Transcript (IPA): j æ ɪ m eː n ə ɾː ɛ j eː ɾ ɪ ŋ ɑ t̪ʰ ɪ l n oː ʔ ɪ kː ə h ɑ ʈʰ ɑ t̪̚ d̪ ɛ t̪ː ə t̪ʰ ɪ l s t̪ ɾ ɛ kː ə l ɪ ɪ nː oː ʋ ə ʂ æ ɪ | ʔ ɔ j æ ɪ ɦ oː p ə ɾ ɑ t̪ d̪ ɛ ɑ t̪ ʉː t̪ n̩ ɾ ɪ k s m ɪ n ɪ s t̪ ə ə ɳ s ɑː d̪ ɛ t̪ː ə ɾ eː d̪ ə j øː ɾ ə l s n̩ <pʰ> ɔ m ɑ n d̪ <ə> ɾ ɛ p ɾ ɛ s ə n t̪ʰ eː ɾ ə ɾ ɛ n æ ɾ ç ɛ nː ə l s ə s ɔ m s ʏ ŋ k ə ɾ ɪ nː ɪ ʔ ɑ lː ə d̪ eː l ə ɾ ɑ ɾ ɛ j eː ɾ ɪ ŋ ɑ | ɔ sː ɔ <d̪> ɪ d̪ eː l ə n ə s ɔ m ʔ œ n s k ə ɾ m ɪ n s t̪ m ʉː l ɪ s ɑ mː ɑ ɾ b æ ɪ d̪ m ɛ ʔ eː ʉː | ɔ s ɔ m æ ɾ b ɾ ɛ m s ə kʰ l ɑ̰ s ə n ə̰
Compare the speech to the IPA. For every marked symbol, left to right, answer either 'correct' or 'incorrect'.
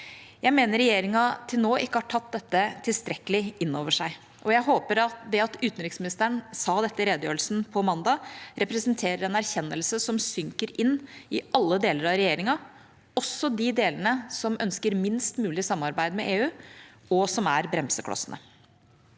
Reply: correct, incorrect: ɑ, correct

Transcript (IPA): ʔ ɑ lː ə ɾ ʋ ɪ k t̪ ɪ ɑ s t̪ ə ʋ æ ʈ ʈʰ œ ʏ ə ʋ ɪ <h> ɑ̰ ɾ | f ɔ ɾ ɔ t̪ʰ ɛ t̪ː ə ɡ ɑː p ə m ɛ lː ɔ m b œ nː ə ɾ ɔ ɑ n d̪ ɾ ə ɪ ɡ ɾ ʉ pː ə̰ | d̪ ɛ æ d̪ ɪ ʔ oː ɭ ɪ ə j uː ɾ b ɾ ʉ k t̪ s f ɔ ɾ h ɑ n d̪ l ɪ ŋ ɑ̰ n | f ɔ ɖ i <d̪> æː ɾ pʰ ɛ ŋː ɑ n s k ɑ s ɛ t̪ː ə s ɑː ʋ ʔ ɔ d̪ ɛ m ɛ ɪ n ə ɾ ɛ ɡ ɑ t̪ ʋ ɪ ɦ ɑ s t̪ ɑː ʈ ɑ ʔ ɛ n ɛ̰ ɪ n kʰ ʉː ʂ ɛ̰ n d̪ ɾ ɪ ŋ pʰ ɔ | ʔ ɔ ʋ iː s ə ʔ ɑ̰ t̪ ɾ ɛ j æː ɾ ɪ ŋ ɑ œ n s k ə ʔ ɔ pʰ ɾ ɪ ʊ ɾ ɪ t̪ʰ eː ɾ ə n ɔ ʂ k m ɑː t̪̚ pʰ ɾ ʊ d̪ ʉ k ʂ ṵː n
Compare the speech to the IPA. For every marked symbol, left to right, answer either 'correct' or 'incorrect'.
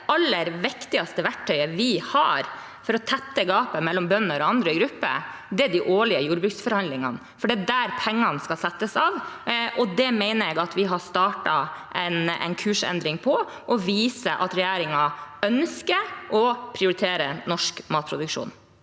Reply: correct, correct

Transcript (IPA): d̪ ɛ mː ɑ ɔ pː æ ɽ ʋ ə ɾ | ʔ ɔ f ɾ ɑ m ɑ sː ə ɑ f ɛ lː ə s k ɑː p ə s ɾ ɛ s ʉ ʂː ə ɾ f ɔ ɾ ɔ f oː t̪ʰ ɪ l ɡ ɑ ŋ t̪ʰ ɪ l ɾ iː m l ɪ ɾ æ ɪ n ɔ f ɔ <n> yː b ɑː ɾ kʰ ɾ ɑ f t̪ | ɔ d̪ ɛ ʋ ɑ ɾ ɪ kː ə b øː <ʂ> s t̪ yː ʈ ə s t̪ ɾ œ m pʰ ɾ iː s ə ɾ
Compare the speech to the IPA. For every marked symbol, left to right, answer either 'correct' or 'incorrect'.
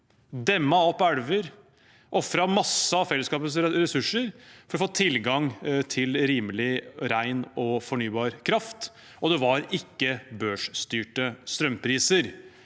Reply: incorrect: ɳ, correct

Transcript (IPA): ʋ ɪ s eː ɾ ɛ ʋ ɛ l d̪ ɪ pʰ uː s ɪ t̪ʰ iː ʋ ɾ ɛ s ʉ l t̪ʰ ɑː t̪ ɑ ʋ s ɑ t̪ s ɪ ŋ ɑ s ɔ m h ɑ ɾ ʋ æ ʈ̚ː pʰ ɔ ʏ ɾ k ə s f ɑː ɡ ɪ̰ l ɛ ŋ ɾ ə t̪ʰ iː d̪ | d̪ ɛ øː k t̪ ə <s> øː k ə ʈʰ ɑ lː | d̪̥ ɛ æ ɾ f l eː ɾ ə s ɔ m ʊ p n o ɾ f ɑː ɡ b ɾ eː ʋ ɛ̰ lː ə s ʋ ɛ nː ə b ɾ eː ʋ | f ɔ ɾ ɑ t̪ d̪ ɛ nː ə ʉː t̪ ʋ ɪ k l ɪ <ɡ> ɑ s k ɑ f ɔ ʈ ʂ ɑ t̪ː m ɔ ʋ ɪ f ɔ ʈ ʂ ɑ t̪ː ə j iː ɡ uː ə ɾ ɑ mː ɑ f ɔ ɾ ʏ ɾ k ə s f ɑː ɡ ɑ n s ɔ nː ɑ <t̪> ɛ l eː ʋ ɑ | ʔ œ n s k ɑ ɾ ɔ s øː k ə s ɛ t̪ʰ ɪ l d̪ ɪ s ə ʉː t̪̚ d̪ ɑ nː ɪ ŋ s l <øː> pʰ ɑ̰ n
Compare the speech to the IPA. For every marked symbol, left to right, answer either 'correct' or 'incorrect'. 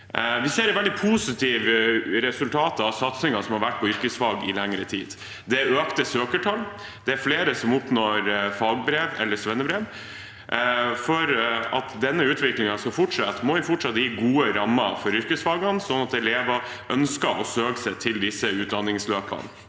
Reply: correct, incorrect: ŋ, correct, correct

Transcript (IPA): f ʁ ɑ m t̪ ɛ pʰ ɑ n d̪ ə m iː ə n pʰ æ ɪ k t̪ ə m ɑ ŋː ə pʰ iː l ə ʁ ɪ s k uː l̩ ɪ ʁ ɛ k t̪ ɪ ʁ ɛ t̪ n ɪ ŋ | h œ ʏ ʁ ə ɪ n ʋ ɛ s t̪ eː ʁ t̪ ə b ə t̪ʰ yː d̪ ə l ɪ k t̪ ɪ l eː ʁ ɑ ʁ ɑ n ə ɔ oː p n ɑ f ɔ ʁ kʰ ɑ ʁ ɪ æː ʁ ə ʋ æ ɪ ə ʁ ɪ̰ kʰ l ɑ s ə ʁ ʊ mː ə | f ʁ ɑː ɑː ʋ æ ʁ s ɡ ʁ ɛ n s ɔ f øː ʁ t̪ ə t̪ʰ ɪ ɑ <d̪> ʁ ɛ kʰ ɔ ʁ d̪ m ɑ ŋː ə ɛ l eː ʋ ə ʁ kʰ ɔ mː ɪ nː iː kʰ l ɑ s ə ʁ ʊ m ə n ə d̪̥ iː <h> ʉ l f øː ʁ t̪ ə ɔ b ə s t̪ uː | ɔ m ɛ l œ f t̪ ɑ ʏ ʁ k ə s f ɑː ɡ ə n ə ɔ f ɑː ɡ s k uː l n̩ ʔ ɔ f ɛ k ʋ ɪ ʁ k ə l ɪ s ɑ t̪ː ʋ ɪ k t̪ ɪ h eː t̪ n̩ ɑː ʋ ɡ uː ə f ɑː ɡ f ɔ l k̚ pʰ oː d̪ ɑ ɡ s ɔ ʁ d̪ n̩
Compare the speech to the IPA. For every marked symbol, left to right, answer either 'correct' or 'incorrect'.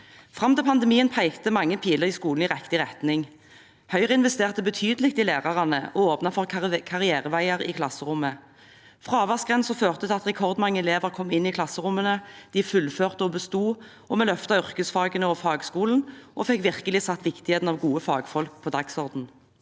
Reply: incorrect: t̪, incorrect: f

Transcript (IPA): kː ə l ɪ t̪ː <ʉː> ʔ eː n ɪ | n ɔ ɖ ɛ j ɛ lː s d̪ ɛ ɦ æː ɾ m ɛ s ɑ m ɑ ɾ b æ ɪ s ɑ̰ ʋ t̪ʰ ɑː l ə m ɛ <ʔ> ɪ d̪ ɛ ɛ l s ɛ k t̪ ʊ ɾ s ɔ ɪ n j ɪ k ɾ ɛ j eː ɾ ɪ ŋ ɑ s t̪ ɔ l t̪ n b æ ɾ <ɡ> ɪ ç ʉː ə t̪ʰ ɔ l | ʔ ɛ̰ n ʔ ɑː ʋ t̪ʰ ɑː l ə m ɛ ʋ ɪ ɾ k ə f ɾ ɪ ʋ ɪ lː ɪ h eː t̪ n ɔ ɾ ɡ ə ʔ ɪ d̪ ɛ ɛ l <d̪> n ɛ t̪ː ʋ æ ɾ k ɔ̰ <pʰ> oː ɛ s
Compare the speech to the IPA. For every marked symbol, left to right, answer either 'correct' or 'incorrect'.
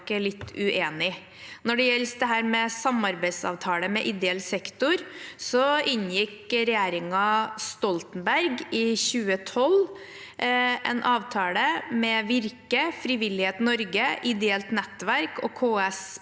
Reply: incorrect: ʉ, correct, correct, incorrect: t̪, incorrect: kʰ

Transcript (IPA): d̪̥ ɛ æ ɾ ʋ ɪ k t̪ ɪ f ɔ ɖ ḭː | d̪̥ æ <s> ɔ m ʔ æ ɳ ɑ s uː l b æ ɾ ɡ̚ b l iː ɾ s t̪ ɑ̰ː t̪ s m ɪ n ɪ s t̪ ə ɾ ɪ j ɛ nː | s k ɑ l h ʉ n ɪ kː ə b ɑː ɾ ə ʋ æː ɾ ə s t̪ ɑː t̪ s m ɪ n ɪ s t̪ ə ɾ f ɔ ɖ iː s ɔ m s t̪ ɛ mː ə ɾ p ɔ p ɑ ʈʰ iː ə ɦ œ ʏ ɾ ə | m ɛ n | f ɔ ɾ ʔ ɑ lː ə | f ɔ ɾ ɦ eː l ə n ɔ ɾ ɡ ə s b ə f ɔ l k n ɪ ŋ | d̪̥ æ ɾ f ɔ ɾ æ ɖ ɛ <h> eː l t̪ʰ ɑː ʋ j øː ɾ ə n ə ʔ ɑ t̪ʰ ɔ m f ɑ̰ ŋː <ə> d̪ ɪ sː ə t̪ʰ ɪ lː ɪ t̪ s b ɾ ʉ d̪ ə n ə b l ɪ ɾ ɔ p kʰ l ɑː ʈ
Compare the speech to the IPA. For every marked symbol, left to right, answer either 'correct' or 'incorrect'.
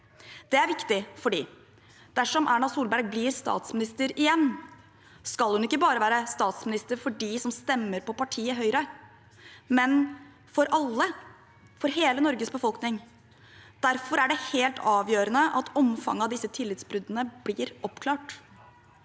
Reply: incorrect: ʂ, correct, incorrect: ɑ

